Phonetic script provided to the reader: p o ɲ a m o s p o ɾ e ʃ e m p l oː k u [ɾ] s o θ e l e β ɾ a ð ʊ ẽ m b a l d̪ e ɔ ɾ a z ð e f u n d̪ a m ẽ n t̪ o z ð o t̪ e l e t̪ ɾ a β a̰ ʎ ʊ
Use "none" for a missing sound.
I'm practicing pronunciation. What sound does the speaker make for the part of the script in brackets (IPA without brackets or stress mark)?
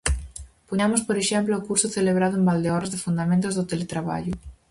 ɾ